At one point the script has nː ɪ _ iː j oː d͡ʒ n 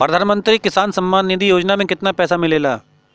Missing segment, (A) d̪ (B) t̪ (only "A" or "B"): A